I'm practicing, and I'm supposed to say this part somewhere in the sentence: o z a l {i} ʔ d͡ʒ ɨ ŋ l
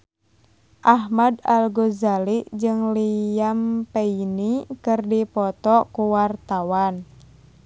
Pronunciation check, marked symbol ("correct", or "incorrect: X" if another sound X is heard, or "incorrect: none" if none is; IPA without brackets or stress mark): correct